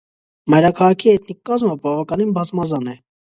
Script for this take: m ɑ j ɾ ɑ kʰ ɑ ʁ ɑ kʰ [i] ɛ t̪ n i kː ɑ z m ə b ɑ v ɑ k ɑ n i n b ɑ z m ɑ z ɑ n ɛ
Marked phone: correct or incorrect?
correct